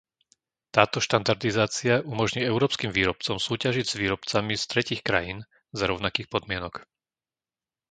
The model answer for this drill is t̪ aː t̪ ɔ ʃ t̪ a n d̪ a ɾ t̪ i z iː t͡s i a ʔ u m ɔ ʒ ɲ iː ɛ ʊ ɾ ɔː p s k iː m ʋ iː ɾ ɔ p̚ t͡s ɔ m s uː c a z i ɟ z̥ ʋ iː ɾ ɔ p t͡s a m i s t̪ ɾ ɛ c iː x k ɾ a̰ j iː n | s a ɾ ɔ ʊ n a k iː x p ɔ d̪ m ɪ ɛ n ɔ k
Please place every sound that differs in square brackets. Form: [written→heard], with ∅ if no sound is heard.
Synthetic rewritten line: t̪ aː t̪ ɔ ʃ t̪ a n d̪ a ɾ [t̪→d̪] i z [iː→aː] t͡s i a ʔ u m ɔ ʒ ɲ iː ɛ ʊ ɾ ɔː p s k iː m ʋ iː ɾ ɔ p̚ t͡s ɔ m s uː c a [z→ʒ] i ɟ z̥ ʋ iː ɾ ɔ p t͡s a m i s t̪ ɾ ɛ c iː x k ɾ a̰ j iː n | [s→z] a ɾ ɔ ʊ n a k iː x p ɔ d̪ m ɪ ɛ n ɔ k

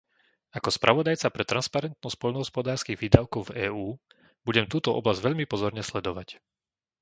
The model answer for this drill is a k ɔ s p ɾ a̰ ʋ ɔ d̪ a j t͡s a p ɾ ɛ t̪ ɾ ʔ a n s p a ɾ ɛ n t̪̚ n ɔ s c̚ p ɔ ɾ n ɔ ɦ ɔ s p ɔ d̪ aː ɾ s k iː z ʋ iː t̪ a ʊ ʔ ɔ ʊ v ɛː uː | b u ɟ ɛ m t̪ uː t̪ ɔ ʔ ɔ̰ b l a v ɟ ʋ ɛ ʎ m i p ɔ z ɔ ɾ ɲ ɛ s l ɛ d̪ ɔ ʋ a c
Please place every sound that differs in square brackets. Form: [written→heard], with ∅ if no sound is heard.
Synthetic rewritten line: a k ɔ s p ɾ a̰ ʋ ɔ d̪ a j t͡s a p ɾ ɛ t̪ ɾ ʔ a n s p a ɾ ɛ n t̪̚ n ɔ s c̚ p ɔ [ɾ→ʎ] n ɔ ɦ ɔ s p ɔ d̪ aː ɾ s k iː [z→ɣ] ʋ iː [t̪→d̪] a ʊ [ʔ→k] ɔ ʊ v ɛː uː | b u ɟ ɛ m t̪ uː t̪ ɔ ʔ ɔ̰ b l a [v→z] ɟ ʋ ɛ ʎ m i p ɔ z ɔ ɾ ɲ ɛ s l ɛ d̪ ɔ ʋ a c

